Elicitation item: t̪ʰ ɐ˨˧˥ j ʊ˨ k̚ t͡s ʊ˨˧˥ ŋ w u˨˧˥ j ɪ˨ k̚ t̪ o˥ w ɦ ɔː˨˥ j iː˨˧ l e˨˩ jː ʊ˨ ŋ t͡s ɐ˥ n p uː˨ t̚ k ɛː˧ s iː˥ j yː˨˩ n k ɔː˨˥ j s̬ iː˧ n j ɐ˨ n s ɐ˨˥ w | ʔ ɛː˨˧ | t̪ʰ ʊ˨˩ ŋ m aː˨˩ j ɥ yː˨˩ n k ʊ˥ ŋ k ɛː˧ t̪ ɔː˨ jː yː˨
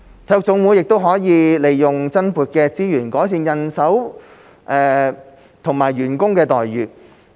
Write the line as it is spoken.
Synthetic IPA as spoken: t̪ʰ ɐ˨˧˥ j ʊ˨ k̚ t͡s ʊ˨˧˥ ŋ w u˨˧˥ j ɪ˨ k̚ t̪ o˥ w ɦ ɔː˨˥ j iː˨˧ l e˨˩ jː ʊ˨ ŋ t͡s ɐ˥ n p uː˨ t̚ k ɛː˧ t͡s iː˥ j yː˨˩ n k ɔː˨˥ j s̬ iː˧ n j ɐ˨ n s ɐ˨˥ w | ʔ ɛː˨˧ | t̪ʰ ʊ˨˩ ŋ m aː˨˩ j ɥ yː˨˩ n k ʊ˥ ŋ k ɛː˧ t̪ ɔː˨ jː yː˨